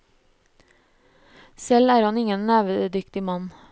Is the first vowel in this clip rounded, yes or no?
no